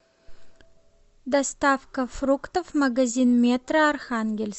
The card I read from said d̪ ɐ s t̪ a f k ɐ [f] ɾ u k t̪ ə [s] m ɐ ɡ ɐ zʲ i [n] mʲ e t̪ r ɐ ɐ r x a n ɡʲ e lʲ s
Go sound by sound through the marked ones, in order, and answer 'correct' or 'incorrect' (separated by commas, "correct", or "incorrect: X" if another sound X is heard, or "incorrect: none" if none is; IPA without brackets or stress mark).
correct, incorrect: f, correct